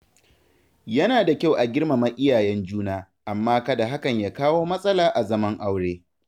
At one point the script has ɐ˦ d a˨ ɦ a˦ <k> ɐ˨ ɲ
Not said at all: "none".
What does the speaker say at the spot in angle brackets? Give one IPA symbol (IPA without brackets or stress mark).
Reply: k